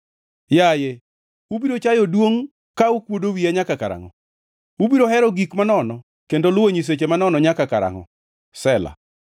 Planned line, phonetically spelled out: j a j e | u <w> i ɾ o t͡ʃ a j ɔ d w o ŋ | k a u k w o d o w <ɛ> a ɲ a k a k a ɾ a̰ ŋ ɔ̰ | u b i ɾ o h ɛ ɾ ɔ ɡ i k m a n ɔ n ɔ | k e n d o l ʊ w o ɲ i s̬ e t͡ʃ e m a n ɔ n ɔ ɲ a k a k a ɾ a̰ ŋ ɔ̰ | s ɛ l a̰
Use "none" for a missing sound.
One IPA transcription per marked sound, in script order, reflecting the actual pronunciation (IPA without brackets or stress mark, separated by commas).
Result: b, i